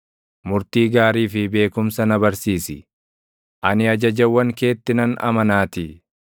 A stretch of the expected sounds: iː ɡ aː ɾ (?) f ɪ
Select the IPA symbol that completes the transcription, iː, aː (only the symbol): iː